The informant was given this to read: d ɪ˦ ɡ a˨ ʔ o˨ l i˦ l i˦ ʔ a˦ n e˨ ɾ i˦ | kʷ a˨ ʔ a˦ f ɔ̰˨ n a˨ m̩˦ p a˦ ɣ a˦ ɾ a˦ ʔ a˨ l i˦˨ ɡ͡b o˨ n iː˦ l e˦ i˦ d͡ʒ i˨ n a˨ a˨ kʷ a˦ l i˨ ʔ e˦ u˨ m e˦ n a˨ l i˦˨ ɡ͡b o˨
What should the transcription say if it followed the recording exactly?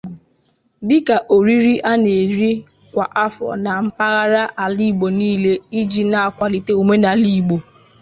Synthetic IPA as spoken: d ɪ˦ k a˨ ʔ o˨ ɾ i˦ ɾ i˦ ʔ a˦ n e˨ ɾ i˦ | kʷ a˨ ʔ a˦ f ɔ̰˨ n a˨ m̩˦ p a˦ ɣ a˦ ɾ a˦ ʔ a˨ l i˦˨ ɡ͡b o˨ n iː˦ l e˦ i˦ d͡ʒ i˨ n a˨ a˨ kʷ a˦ l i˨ t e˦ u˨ m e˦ n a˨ l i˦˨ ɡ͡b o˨